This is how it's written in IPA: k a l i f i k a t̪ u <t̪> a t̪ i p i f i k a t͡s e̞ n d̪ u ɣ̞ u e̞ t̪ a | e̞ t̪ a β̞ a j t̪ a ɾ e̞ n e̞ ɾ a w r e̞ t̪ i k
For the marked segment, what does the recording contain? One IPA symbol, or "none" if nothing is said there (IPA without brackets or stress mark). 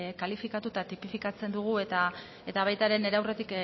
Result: t̪